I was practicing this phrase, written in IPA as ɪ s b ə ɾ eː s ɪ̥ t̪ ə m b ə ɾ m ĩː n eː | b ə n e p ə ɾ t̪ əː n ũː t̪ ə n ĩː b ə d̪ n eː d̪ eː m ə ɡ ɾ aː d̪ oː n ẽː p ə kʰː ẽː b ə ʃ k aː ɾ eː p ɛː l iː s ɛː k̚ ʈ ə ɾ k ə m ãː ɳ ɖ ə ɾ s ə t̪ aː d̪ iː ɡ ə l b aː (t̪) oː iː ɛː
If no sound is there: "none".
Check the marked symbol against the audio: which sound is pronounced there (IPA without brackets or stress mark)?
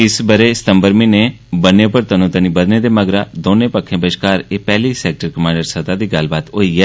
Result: t̪